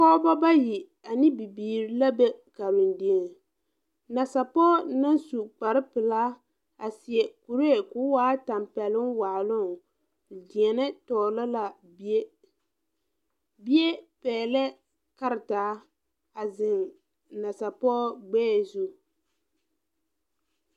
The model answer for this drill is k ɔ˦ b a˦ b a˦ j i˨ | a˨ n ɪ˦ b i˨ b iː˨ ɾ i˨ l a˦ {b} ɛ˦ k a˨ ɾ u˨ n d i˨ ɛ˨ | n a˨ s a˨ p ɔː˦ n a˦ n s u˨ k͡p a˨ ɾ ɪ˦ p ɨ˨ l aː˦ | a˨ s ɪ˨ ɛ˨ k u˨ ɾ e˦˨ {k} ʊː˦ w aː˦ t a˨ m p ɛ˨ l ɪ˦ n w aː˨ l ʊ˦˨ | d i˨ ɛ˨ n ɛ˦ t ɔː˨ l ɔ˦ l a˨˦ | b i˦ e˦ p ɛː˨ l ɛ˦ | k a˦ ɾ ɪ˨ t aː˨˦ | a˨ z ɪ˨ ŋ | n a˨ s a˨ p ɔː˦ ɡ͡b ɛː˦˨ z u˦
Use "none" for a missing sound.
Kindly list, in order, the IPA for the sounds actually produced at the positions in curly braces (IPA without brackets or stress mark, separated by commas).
b, k